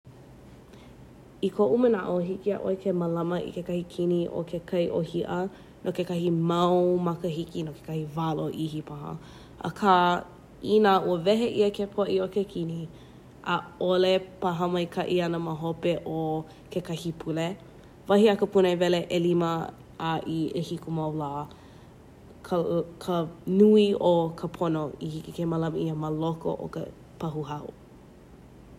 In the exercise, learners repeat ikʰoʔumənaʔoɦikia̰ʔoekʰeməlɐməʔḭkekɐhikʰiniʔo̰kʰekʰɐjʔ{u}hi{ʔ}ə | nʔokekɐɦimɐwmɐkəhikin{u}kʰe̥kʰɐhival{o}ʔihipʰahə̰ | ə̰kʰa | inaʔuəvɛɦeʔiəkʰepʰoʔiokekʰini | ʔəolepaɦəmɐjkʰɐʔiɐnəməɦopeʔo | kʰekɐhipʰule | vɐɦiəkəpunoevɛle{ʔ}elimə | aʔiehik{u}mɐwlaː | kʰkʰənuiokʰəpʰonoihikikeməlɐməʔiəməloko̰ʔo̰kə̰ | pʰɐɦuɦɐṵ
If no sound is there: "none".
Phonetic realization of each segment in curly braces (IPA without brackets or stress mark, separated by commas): o, ʔ, o, o, ʔ, u